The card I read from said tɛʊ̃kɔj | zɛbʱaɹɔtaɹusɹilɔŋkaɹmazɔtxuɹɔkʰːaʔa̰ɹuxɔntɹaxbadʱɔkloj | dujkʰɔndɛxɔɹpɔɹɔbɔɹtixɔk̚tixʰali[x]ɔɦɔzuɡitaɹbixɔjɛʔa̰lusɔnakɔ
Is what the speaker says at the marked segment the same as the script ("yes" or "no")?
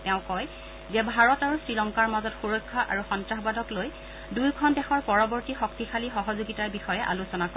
yes